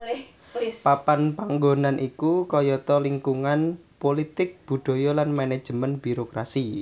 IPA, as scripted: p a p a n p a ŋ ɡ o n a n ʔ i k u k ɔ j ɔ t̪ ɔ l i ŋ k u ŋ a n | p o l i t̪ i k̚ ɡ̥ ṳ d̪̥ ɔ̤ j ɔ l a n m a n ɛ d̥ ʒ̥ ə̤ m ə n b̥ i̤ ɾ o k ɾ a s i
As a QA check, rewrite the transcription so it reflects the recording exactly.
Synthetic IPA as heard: p a p a n p a ŋ ɡ o n a n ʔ i k u k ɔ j ɔ t̪ ɔ l i ŋ k u ŋ a n | p o l i t̪ ɪ k̚ b̥ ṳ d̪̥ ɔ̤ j ɔ l a n m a n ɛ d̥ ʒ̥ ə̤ m ə n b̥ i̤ ɾ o k ɾ a s i

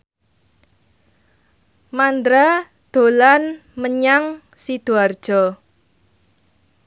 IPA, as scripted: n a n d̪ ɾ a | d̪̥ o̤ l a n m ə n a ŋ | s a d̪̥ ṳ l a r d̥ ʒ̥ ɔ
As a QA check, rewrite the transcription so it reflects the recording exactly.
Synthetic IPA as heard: m a n d̪ ɾ a | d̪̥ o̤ l a n m ə ɲ a ŋ | s i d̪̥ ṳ a r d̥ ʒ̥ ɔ

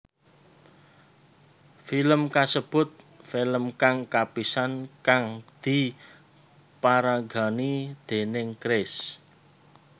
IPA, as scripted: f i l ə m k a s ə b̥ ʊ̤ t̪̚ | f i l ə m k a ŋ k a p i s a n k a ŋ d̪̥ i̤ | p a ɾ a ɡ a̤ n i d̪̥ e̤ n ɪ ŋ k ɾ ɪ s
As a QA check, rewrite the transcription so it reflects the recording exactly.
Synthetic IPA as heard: f i l ə m k a s ə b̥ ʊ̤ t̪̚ | f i l ə m k a ŋ k a p i s a n k a ŋ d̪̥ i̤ | p a ɾ a ɡ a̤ n i d̪̥ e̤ n ɪ ŋ k ɾ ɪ s

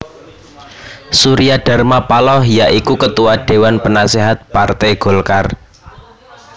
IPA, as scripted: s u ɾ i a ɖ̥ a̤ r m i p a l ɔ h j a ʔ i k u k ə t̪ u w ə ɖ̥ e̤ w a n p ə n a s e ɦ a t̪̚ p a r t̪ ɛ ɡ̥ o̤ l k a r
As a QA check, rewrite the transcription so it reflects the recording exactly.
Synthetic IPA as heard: s u ɾ i a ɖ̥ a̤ r m a p a l ɔ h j a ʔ i k u k ə t̪ u w a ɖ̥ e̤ w a n p ə n a s e ɦ a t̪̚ p a r t̪ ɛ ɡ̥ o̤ l k a r

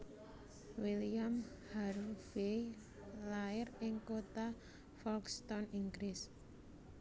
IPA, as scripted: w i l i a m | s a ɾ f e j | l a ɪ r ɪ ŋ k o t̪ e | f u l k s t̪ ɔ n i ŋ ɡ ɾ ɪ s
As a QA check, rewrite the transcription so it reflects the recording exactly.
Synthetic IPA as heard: w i l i a m | h a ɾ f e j | l a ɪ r ɪ ŋ k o t̪ a | f ɔ l k s t̪ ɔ n i ŋ ɡ ɾ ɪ s

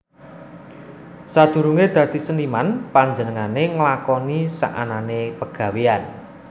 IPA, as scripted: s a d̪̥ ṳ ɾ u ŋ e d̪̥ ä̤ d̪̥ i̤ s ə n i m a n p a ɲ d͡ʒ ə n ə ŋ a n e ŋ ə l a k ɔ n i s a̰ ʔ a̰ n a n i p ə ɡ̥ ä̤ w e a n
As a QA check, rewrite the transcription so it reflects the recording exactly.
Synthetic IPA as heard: s a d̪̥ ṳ ɾ u ŋ e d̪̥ ä̤ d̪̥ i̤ s ə n i m a n p a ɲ d͡ʒ ə n ə ŋ a n e ŋ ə l a k ɔ n i s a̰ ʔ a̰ n a n e p ə ɡ̥ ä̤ w e a n

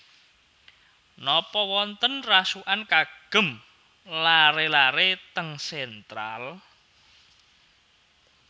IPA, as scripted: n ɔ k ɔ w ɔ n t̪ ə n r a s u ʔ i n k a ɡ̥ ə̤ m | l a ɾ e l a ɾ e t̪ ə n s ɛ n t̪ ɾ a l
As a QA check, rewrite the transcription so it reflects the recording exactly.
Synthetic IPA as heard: n ɔ p ɔ w ɔ n t̪ ə n r a s u ʔ a n k a ɡ̥ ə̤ m | l a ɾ e l a ɾ e t̪ ə ŋ s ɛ n t̪ ɾ a l

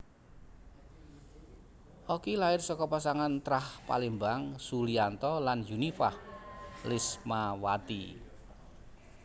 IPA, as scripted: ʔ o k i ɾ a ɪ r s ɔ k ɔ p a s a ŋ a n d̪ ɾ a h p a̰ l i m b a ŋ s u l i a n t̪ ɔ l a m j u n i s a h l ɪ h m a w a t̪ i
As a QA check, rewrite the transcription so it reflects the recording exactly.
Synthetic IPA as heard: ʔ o k i l a ɪ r s ɔ k ɔ p a s a ŋ a n t̪ ɾ a h p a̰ l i m b a ŋ s u l i a n t̪ ɔ l a n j u n i f a h l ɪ s m a w a t̪ i

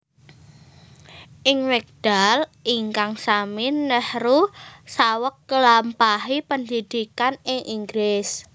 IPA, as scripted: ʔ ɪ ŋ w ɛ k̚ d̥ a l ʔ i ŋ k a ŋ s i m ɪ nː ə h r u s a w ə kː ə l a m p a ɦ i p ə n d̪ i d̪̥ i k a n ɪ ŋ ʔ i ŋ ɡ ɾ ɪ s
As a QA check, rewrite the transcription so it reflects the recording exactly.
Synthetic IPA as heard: ʔ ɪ ŋ w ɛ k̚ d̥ a l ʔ i ŋ k a ŋ s a m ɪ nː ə h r u s a w ə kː ə l a m p a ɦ i p ə n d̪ i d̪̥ i k a n ɪ ŋ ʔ i ŋ ɡ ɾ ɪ s

